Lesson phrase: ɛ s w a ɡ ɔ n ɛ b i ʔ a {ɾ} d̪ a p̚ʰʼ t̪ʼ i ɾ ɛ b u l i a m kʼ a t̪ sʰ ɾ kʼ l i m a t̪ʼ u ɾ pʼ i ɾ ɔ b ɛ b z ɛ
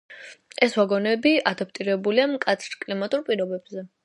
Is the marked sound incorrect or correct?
incorrect